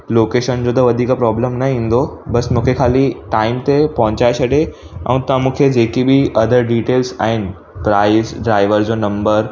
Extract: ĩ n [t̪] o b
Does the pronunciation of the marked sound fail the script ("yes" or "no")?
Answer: yes